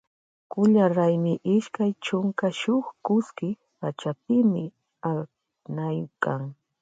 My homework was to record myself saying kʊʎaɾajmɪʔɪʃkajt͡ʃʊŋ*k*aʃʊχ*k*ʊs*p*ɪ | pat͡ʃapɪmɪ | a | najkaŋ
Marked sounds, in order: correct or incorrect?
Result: correct, correct, incorrect: k

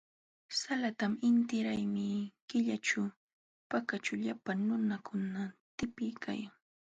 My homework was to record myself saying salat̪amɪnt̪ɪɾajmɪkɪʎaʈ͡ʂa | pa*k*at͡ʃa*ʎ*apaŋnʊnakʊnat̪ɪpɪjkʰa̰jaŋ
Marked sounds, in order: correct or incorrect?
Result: correct, correct

